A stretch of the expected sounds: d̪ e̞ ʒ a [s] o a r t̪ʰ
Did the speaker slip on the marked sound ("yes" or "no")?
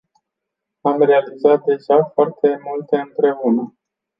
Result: yes